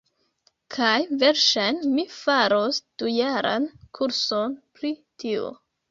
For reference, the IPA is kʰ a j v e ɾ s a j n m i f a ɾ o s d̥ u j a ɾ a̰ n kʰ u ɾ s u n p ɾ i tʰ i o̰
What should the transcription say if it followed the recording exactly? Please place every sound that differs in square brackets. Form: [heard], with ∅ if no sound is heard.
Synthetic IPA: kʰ a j v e ɾ [ʃ] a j n m i f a ɾ o s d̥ u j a ɾ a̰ n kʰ u ɾ s [o] n p ɾ i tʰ i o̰